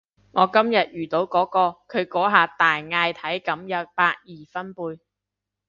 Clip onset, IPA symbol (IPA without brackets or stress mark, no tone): ŋ